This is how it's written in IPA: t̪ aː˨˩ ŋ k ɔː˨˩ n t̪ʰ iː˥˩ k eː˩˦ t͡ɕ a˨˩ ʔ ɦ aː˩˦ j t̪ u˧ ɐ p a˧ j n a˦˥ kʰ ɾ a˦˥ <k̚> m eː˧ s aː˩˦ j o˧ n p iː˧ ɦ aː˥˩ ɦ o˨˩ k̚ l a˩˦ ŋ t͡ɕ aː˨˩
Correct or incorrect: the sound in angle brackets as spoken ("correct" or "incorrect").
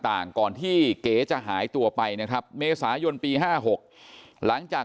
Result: incorrect